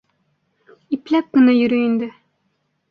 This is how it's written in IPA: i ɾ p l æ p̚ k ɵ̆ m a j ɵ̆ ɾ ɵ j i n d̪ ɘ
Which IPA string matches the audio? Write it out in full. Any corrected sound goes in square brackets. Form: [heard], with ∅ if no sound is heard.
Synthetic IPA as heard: i [∅] p l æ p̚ k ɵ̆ [n] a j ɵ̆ ɾ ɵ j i n d̪ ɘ